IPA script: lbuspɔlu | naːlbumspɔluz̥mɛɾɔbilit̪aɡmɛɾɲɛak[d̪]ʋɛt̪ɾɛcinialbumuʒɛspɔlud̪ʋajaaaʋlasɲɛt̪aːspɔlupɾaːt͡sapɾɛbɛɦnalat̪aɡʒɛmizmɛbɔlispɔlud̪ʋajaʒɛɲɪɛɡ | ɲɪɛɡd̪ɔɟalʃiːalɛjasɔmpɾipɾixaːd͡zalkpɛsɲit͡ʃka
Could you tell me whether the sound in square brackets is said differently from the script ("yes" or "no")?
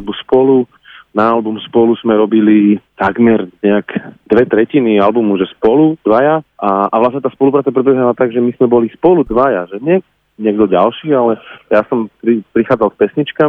no